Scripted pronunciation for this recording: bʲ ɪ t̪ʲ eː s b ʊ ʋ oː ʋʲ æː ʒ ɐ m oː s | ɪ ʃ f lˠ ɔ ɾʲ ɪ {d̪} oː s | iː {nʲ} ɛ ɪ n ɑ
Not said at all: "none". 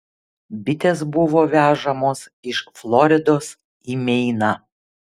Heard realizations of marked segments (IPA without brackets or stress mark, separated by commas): d̪, mʲ